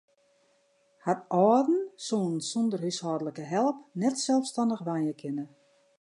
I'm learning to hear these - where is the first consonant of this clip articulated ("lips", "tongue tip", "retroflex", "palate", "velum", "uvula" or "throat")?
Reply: throat